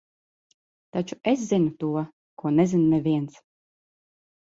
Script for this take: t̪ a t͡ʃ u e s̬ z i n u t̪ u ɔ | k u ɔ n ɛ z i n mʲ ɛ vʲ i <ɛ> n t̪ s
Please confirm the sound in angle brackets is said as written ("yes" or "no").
yes